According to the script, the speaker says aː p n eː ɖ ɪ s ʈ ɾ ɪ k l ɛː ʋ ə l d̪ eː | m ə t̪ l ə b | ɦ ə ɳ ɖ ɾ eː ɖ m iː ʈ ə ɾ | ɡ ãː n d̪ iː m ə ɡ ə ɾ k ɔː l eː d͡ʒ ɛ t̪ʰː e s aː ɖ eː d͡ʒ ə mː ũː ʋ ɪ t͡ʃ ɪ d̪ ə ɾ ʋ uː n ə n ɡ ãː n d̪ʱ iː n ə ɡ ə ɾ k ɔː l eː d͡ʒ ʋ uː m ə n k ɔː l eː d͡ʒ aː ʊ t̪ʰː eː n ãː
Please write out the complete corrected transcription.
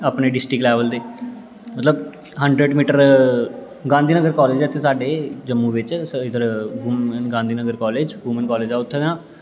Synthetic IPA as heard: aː p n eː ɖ ɪ s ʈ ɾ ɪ k l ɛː ʋ ə l d̪ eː | m ə t̪ l ə b | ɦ ə ɳ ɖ ɾ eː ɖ m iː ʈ ə ɾ | ɡ ãː n d̪ iː n ə ɡ ə ɾ k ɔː l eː d͡ʒ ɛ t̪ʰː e s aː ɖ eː d͡ʒ ə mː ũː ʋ ɪ t͡ʃ ɪ d̪ ə ɾ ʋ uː m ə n ɡ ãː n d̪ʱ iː n ə ɡ ə ɾ k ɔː l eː d͡ʒ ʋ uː m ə n k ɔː l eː d͡ʒ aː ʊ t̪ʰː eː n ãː

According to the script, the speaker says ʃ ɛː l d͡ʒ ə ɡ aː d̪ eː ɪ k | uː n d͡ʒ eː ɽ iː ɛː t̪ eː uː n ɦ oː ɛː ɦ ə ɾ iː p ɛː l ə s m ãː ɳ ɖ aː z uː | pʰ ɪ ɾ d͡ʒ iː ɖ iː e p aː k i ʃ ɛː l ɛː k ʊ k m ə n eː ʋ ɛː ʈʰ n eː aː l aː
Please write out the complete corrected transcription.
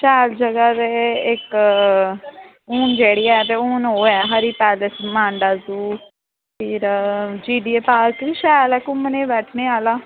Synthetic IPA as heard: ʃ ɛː l d͡ʒ ə ɡ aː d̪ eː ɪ k | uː n d͡ʒ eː ɽ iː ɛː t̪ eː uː n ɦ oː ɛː ɦ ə ɾ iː p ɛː l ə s m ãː ɳ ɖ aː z uː | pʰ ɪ ɾ d͡ʒ iː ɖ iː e p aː k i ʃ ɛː l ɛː k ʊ m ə n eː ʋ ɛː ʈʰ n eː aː l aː

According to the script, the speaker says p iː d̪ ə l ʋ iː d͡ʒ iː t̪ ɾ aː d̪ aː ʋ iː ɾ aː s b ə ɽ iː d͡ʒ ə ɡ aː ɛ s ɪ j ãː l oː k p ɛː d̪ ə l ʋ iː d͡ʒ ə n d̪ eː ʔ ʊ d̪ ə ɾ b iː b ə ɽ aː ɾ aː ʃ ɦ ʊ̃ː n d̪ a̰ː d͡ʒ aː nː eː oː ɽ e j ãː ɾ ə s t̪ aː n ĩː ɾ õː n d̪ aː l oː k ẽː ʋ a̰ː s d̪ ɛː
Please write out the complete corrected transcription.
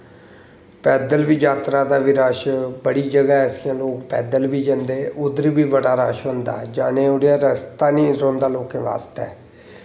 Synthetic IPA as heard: p ɛː d̪ ə l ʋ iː d͡ʒ aː t̪ ɾ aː d̪ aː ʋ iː ɾ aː ʃ b ə ɽ iː d͡ʒ ə ɡ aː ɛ s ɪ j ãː l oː k p ɛː d̪ ə l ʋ iː d͡ʒ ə n d̪ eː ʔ ʊ d̪ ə ɾ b iː b ə ɽ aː ɾ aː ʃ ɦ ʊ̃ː n d̪ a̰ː d͡ʒ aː n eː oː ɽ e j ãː ɾ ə s t̪ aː n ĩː ɾ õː n d̪ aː l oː k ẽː ʋ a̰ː s t̪ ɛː

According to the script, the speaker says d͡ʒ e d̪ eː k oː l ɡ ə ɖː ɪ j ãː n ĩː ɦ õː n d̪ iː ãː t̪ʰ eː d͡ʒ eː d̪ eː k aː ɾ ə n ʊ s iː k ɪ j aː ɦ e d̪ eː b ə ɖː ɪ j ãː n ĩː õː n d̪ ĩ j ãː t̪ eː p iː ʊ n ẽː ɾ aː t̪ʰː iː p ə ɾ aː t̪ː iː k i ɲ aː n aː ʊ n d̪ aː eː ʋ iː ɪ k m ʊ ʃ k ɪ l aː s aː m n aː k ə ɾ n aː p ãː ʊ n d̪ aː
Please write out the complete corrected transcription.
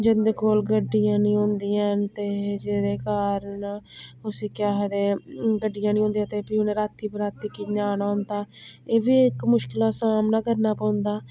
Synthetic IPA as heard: d͡ʒ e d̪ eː k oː l ɡ ə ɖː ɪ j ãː n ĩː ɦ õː n d̪ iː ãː t̪ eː d͡ʒ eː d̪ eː k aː ɾ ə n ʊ s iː k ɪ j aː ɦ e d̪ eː ɡ ə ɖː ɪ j ãː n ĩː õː n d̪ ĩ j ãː t̪ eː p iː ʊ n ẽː ɾ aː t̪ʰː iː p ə ɾ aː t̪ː iː k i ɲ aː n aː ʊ n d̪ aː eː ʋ iː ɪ k m ʊ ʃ k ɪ l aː s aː m n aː k ə ɾ n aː p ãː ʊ n d̪ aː

